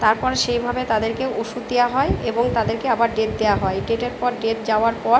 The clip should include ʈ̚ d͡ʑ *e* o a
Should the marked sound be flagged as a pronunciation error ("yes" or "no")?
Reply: yes